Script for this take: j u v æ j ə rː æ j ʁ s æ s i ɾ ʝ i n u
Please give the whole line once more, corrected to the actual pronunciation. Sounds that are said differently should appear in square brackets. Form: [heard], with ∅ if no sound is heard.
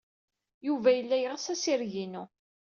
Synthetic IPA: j u v æ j ə [lː] æ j ʁ s æ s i ɾ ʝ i n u